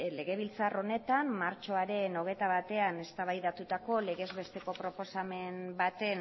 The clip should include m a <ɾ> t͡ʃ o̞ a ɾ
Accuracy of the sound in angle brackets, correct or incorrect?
correct